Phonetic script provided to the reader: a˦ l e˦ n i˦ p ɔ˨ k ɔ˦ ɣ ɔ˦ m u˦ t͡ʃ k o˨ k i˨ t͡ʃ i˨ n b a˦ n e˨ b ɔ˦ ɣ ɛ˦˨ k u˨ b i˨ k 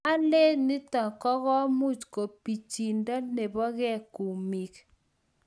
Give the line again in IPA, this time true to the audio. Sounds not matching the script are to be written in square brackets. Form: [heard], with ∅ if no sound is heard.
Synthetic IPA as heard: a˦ l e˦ n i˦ [t] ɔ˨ k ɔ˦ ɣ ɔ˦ m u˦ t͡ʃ k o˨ [p] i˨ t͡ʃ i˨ n [d] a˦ n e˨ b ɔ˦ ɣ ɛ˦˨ k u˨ [m] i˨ k